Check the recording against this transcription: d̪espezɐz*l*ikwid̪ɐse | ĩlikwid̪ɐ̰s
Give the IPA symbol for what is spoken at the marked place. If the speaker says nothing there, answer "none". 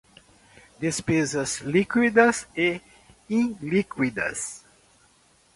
l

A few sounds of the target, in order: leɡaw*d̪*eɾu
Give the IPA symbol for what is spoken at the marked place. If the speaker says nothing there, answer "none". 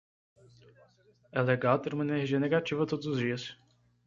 t̪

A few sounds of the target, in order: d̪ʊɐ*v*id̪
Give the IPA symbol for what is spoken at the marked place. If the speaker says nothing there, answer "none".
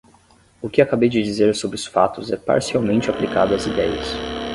z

